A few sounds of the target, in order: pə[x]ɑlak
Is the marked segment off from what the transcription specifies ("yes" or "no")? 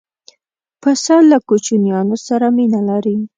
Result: yes